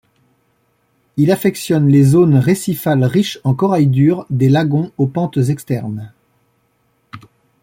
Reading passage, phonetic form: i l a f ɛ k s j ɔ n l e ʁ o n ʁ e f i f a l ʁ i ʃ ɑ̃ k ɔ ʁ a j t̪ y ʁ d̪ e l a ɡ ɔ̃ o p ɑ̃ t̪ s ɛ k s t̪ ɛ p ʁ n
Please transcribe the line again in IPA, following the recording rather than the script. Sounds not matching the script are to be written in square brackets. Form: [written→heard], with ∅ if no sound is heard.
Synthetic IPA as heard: i l a f ɛ k s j ɔ n l e [ʁ→z] o n ʁ e [f→s] i f a l ʁ i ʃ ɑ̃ k ɔ ʁ a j [t̪→d̪] y ʁ d̪ e l a ɡ ɔ̃ o p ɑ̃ t̪ [s→z] ɛ k s t̪ ɛ [p→∅] ʁ n